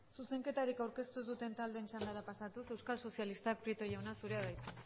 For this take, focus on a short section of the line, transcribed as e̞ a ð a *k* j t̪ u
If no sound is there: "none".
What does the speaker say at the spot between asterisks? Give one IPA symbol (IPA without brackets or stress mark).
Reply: none